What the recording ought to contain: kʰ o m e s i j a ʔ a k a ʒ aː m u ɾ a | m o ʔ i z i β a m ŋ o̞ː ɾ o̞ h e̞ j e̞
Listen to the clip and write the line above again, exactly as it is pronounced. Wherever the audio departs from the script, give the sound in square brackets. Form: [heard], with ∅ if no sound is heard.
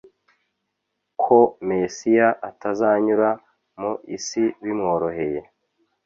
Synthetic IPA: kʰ o m e s i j a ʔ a [t] a [z] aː [ɲ] u ɾ a | m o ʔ i [s] i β [i] m ŋ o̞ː ɾ o̞ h e̞ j e̞